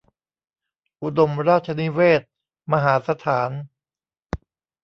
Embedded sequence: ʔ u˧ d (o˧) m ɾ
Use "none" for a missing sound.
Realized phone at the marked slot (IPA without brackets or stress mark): o˧